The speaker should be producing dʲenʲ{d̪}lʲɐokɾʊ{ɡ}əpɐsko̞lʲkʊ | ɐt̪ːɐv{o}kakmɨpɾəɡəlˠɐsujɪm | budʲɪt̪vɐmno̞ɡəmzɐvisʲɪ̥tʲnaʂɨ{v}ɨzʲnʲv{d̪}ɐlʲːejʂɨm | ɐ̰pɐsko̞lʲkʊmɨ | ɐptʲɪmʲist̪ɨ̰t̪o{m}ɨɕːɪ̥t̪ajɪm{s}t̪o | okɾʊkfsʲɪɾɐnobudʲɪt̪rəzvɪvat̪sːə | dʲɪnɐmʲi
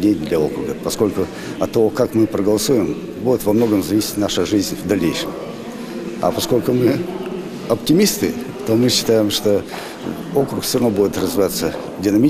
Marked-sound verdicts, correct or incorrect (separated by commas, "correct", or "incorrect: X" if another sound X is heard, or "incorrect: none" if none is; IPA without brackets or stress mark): correct, correct, correct, incorrect: ʐ, correct, correct, incorrect: ʂ